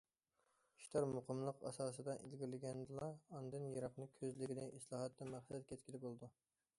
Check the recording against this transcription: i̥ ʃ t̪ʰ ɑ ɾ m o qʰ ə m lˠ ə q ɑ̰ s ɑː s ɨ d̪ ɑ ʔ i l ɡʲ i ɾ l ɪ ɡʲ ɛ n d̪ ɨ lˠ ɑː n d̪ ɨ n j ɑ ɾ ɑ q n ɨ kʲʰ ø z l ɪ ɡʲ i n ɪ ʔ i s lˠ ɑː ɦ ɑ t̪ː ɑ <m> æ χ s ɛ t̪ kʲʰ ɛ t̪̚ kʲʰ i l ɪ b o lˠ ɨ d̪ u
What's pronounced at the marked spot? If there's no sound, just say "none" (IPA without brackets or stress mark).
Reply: m